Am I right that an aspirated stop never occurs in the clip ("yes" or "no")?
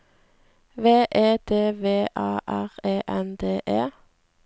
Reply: yes